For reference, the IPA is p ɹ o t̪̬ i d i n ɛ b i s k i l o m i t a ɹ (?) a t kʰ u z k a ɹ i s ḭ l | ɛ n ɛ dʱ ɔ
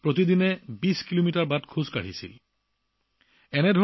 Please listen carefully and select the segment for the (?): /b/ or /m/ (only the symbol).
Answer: b